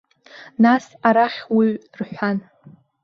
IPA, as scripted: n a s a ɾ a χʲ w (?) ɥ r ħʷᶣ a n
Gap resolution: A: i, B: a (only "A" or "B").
A